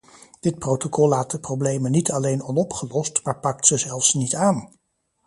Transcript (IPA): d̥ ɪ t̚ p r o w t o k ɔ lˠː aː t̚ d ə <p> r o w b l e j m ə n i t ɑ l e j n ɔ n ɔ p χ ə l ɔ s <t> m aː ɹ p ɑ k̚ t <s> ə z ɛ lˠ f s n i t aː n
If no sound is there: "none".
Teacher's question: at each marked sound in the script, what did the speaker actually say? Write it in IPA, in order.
p, t, s

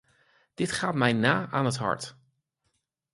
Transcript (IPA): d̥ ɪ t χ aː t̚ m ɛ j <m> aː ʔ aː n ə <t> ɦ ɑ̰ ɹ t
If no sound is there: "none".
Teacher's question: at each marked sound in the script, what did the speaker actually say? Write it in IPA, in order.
n, t

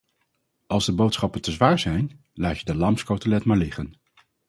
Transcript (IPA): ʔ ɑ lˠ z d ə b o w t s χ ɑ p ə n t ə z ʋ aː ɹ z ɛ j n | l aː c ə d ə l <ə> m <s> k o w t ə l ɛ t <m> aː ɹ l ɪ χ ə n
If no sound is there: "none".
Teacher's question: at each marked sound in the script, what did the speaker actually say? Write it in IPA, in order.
ɑ, s, m

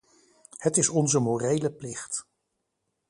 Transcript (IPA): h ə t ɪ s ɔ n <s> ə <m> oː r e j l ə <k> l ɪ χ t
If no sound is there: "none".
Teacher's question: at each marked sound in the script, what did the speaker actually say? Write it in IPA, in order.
z, m, p

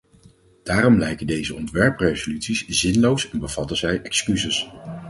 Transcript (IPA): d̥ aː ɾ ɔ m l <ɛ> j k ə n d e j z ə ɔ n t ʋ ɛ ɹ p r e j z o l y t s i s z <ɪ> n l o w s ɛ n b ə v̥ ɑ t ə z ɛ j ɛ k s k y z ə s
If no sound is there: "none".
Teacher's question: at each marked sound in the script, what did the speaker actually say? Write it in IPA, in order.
ɛ, ɪ

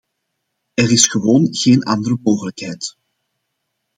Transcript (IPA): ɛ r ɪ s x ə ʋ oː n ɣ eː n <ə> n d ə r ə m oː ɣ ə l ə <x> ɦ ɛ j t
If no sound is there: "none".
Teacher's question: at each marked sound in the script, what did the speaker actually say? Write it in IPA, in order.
ɑ, k

